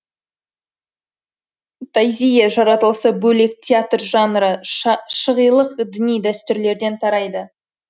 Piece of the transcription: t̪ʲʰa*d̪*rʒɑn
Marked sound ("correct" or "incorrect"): incorrect